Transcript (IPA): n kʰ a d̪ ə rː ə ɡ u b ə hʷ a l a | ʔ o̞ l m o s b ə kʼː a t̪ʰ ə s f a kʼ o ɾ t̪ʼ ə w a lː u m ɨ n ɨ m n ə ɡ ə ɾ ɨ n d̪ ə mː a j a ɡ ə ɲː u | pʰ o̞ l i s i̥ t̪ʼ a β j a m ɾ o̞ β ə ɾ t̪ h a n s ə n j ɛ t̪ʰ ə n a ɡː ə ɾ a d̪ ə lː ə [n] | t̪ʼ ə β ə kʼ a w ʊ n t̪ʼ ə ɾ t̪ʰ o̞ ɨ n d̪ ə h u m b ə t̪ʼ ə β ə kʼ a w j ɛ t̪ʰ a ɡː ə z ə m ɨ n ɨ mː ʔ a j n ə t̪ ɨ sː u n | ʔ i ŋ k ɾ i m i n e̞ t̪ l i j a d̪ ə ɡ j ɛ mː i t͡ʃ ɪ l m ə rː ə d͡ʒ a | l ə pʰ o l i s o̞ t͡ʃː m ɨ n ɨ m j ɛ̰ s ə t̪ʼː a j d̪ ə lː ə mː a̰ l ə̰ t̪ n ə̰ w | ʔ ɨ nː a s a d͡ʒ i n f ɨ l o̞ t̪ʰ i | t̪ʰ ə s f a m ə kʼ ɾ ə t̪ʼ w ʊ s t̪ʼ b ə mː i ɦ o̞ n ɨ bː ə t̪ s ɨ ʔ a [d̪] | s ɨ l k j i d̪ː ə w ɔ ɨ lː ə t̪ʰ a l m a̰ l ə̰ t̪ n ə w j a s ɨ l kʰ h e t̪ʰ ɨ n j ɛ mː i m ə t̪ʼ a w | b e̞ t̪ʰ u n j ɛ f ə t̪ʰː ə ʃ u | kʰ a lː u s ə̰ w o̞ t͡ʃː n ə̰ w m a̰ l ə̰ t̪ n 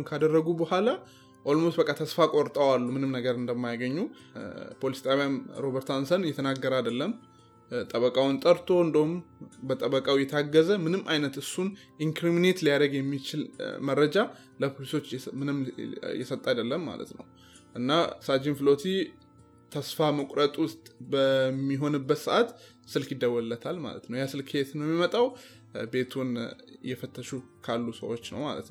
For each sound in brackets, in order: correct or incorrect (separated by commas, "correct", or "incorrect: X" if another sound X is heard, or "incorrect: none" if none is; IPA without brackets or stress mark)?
incorrect: m, incorrect: t̪